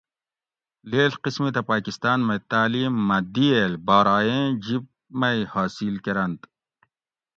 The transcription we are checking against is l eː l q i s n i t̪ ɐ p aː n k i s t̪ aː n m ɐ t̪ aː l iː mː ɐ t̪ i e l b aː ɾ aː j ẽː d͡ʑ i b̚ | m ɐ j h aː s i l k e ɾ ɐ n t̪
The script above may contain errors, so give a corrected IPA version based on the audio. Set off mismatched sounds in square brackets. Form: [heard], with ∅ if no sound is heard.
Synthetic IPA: l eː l q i s [m] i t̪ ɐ p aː [∅] k i s t̪ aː n m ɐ t̪ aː l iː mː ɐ [d̪] i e l b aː ɾ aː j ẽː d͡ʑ i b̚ | m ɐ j h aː s i l k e ɾ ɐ n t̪